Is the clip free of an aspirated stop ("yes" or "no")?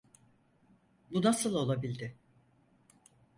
yes